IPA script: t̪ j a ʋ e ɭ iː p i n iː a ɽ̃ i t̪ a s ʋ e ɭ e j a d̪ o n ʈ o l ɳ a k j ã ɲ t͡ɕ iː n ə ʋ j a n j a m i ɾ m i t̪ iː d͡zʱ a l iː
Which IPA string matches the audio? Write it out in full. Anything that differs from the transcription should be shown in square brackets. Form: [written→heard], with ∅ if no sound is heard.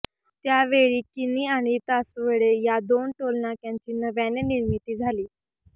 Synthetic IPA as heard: t̪ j a ʋ e ɭ iː [p→k] i n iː a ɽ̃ i t̪ a s ʋ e ɭ e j a d̪ o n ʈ o l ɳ a k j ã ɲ t͡ɕ iː n ə ʋ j a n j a [m→n] i ɾ m i t̪ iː d͡zʱ a l iː

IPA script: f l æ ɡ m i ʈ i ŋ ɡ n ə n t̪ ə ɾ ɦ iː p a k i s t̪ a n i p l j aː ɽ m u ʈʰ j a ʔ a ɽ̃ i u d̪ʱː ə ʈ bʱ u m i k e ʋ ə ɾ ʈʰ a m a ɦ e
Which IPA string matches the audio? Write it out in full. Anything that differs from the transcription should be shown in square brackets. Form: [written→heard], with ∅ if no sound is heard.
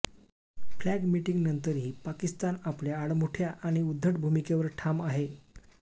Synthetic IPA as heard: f l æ ɡ m i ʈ i ŋ ɡ n ə n t̪ ə ɾ ɦ iː p a k i s t̪ a n [i→a] p l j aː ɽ m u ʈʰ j a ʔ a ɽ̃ i u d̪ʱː ə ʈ bʱ u m i k e ʋ ə ɾ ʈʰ a m a ɦ e

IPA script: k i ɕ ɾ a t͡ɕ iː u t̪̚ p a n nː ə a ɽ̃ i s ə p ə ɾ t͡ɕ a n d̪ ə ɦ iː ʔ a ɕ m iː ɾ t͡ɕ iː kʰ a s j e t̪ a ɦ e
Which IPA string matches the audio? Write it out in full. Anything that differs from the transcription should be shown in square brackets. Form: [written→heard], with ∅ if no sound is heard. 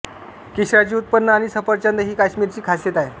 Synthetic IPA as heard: k i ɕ ɾ a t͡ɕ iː u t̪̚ p [a→ə] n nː ə a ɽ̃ i s ə p ə ɾ t͡ɕ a n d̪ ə ɦ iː [ʔ→k] a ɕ m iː ɾ t͡ɕ iː kʰ a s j e t̪ a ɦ e

